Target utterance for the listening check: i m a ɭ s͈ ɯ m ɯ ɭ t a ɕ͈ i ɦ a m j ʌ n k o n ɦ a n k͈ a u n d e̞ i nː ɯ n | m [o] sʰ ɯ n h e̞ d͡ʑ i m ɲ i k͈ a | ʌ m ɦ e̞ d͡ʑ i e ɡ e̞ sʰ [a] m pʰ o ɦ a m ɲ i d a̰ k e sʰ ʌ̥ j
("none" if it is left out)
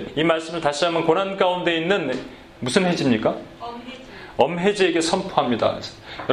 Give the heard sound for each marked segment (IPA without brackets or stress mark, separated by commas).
u, ʌ